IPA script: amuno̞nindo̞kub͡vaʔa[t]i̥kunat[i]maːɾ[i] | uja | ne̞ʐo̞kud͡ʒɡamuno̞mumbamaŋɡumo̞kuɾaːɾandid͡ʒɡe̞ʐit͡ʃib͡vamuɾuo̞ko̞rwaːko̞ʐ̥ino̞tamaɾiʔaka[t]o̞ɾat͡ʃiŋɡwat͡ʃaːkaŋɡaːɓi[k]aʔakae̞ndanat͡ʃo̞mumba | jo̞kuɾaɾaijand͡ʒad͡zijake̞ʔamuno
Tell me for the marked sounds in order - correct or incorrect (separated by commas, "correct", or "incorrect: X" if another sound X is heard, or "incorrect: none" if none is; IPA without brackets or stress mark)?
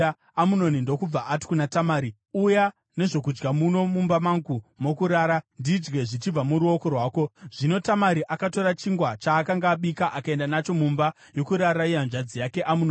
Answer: correct, incorrect: a, correct, correct, correct